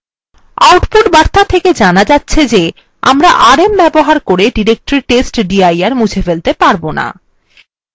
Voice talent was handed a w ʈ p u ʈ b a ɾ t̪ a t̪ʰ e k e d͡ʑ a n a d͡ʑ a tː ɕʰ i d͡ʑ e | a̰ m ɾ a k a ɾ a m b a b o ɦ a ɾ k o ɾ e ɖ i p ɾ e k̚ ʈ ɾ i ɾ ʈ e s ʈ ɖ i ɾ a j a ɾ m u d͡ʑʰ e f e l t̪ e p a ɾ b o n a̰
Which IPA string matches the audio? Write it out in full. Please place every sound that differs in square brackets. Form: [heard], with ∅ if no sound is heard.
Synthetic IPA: a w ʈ p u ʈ b a ɾ t̪ a t̪ʰ e k e d͡ʑ a n a d͡ʑ a tː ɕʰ [e] d͡ʑ e | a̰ m ɾ a [ʔ] a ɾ [e] m b [ɛ] b o ɦ a ɾ k o ɾ e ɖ i [∅] ɾ e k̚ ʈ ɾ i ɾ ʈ e s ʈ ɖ i [∅] a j a ɾ m u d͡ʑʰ e f e l t̪ e p a ɾ b o n a̰